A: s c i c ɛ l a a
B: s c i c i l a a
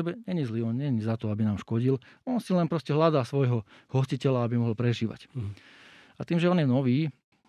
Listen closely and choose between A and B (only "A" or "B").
A